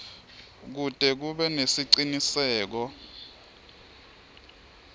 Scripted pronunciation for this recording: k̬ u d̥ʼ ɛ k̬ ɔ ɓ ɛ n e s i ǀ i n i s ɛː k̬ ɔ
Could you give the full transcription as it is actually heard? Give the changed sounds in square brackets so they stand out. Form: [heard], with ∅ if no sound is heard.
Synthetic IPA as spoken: k̬ u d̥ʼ ɛ k̬ [u] ɓ ɛ n e s i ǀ i n i s ɛː k̬ ɔ